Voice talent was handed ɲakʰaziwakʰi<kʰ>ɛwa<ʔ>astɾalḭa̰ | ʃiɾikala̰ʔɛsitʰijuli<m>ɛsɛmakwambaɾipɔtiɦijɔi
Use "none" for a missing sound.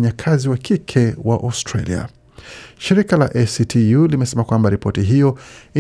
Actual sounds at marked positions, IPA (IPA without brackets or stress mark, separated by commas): kʰ, ʔ, m